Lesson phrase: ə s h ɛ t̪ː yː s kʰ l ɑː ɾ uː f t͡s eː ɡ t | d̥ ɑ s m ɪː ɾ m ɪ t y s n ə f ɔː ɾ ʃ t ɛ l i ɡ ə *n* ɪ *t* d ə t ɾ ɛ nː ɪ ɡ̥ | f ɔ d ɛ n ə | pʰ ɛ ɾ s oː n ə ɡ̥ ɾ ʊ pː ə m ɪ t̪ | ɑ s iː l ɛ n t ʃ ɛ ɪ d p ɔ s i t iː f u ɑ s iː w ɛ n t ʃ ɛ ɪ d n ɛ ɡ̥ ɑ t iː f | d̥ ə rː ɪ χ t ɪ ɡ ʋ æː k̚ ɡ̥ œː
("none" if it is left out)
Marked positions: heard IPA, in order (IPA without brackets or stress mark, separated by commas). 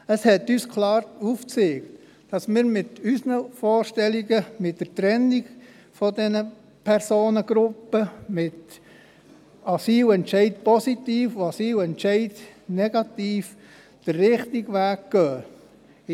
m, t